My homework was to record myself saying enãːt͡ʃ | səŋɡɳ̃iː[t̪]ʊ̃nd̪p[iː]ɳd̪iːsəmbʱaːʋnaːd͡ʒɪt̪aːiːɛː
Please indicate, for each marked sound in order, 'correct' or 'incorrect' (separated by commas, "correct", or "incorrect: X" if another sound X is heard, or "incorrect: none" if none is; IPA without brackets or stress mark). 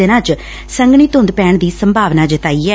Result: correct, incorrect: ɛː